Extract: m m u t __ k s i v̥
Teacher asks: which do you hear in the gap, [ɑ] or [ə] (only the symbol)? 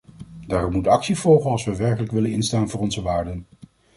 ɑ